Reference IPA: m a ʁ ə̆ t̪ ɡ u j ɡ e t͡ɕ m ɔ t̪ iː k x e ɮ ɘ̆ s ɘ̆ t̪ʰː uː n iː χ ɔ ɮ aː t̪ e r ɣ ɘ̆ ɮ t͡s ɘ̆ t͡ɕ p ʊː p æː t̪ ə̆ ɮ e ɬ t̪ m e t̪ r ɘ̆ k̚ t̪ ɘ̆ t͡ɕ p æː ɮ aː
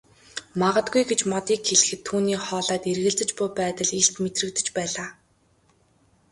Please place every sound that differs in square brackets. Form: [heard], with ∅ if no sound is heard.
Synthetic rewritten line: m a ʁ ə̆ t̪ ɡ u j ɡ e t͡ɕ m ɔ t̪ iː k x e ɮ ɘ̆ [x] ɘ̆ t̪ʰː uː n iː χ [ɔː] ɮ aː t̪ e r ɣ ɘ̆ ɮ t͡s ɘ̆ t͡ɕ p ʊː p æː t̪ ə̆ ɮ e ɬ t̪ m e t̪ r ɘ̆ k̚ t̪ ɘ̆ t͡ɕ p æː ɮ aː